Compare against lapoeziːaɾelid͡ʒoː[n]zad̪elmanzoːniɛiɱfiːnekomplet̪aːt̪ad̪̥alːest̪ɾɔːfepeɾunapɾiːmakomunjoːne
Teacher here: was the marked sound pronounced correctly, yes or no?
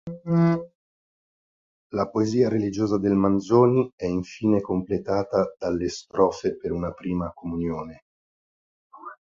no